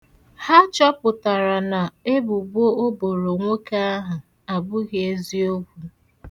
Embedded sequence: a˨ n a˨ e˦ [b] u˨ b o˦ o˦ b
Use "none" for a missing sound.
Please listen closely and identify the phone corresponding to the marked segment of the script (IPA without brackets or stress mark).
b